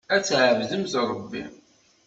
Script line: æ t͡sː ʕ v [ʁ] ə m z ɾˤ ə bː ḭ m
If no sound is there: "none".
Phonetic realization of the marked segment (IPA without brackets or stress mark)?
ð